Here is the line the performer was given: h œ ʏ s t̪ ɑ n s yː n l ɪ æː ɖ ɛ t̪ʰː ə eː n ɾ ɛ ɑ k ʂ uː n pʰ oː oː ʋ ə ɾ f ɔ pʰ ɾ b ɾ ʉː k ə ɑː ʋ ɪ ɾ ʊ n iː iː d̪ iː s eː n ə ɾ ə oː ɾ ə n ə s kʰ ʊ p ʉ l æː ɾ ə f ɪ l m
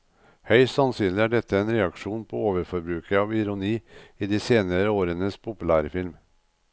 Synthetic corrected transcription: h œ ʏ s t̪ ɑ n s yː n l ɪ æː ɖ ɛ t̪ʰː ə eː n ɾ ɛ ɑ k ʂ uː n pʰ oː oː ʋ ə ɾ f ɔ ɾ b ɾ ʉː k ə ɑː ʋ ɪ ɾ ʊ n iː iː d̪ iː s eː n ə ɾ ə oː ɾ ə n ə s pʰ ʊ p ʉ l æː ɾ ə f ɪ l m